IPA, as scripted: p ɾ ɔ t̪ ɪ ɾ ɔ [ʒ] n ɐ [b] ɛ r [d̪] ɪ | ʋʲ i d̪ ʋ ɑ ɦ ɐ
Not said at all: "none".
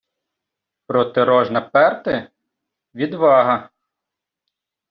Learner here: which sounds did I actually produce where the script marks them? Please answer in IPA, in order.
ʒ, p, t̪

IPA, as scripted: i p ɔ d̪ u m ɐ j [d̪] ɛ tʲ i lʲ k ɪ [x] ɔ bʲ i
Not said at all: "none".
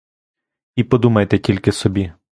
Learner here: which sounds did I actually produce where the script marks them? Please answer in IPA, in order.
t̪, s

